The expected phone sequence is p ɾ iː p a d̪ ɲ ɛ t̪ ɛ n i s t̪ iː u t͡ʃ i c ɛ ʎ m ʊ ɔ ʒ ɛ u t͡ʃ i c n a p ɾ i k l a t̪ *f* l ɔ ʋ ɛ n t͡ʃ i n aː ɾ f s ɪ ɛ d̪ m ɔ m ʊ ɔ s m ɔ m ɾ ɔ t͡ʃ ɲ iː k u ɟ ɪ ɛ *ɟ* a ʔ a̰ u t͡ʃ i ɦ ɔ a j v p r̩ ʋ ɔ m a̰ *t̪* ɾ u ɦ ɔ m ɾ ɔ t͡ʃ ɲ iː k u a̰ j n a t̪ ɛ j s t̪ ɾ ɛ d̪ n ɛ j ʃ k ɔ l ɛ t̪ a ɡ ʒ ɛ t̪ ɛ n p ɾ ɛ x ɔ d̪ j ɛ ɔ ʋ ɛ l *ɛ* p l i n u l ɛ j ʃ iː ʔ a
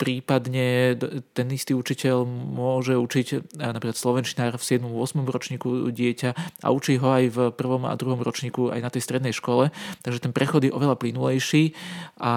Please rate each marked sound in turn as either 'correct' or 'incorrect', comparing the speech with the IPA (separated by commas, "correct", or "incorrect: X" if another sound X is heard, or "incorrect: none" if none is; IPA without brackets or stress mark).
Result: incorrect: s, incorrect: c, incorrect: d̪, incorrect: a